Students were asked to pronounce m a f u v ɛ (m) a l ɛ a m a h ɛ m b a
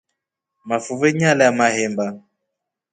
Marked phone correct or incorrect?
incorrect